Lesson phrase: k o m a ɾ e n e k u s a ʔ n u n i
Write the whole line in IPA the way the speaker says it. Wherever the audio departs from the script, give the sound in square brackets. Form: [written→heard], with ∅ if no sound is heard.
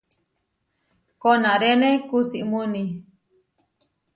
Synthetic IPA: k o [m→n] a ɾ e n e k u s [a→i] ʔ [n→m] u n i